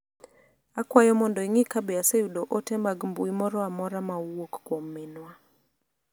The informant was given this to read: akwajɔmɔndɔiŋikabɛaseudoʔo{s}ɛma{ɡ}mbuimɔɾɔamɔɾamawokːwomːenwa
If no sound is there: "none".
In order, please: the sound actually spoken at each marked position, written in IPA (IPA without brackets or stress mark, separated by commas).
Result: t, ɡ